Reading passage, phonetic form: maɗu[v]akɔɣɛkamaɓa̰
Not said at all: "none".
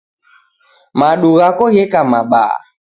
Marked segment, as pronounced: ɣ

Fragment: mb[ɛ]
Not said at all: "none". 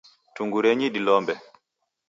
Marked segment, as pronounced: ɛ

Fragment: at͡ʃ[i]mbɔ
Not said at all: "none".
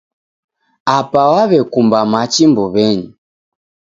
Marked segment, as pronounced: i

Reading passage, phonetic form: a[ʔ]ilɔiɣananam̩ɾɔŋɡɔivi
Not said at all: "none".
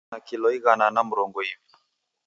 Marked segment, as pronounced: k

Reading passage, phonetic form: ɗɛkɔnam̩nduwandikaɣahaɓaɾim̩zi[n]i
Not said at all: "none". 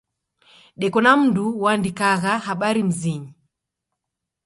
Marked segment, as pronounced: ɲ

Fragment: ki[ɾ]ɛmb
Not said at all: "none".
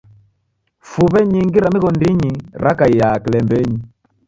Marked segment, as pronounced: l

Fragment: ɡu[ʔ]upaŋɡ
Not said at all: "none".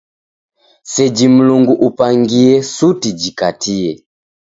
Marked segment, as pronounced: ʔ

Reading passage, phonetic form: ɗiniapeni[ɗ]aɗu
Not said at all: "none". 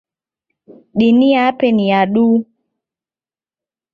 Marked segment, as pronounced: none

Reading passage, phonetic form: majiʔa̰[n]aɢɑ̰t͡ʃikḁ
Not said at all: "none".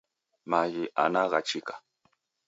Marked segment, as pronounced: n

